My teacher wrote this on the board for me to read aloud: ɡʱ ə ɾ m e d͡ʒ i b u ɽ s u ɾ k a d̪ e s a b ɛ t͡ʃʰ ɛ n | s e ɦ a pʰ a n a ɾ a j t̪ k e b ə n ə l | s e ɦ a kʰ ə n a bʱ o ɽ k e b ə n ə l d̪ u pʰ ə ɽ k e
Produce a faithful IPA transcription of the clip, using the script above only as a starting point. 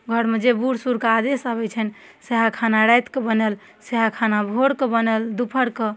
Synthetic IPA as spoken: ɡʱ ə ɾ m e d͡ʒ e b u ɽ s u ɾ k a d̪ e s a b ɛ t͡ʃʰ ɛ n | s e ɦ a kʰ a n a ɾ a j t̪ k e b ə n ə l | s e ɦ a kʰ a n a bʱ o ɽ k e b ə n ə l d̪ u pʰ ə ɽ k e